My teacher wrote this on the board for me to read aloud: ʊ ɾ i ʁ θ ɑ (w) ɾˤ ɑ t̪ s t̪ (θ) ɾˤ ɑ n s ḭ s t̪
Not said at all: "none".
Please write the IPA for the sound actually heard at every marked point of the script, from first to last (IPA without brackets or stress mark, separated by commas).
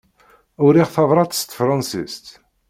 v, f